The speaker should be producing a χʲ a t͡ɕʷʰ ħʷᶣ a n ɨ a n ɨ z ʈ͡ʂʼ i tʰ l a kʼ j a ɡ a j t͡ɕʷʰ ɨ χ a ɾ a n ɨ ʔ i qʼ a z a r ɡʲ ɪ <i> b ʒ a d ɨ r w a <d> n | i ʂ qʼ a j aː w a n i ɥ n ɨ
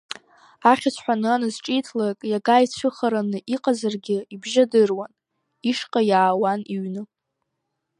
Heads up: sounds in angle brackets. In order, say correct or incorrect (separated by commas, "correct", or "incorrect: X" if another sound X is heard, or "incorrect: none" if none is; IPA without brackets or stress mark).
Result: correct, incorrect: none